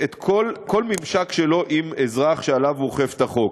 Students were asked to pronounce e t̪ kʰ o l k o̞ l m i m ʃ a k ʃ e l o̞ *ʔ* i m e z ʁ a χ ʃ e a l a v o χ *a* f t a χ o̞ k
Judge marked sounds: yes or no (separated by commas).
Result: yes, no